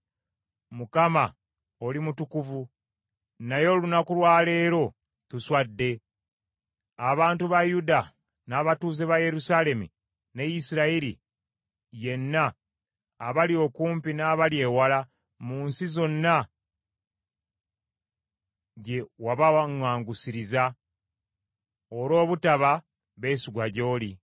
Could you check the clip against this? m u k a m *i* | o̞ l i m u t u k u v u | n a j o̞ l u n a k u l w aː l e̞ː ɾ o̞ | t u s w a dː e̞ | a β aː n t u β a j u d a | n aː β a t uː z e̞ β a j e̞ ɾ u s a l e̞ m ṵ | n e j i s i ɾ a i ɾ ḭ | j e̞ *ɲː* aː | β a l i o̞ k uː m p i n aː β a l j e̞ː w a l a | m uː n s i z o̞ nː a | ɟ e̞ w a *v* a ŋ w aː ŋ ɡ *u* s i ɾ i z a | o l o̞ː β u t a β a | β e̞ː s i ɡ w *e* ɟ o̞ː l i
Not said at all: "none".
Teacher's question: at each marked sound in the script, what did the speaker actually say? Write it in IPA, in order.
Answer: a, nː, β, u, a

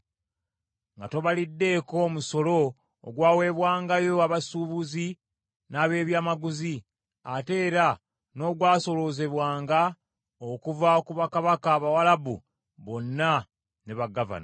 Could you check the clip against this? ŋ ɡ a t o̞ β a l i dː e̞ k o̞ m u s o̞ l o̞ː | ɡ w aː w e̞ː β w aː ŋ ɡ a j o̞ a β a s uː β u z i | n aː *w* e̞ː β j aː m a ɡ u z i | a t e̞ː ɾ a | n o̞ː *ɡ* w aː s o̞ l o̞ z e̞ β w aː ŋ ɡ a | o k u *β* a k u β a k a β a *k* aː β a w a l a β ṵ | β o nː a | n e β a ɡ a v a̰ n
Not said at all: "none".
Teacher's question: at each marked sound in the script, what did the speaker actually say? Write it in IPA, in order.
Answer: β, ɡ, v, k

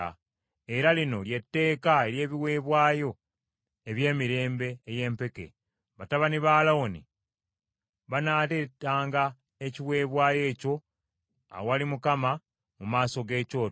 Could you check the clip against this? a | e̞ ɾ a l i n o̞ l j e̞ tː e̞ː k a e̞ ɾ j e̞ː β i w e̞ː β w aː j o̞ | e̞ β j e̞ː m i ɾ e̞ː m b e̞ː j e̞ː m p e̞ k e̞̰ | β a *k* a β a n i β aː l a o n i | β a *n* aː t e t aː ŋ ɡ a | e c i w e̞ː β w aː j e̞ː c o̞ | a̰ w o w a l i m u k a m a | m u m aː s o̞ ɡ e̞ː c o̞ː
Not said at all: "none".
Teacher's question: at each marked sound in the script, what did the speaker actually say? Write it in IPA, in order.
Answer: t, n

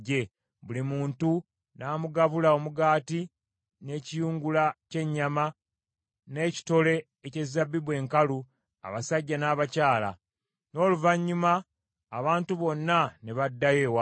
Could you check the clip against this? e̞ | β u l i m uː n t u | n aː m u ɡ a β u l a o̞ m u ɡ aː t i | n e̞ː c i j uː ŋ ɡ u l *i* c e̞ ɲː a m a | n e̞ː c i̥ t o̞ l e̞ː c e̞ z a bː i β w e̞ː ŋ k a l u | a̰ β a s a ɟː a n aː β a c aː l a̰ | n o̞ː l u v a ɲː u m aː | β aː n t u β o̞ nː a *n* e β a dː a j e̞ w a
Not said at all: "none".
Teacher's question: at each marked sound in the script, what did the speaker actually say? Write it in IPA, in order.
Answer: a, n

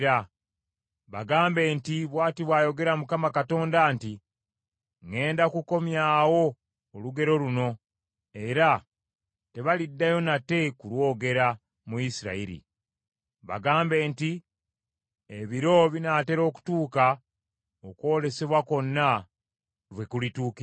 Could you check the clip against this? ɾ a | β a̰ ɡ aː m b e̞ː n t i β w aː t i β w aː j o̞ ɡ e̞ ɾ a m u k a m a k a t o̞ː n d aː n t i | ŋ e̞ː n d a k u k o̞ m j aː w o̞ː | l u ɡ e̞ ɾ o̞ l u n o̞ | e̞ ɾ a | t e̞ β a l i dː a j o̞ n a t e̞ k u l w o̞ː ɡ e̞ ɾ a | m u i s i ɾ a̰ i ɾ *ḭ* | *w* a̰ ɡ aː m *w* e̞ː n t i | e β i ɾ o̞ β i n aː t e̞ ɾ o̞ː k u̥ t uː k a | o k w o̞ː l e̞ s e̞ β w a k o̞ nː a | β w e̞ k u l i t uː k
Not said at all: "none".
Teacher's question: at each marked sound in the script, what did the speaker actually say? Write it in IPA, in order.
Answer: ḭ, β, b

